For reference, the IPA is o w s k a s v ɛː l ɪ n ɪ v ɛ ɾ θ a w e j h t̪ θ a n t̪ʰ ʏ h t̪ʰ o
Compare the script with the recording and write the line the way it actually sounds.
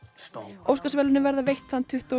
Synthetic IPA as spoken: o w s k a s v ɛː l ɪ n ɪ v ɛ ɾ ð a v e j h t̪ θ a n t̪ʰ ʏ h t̪ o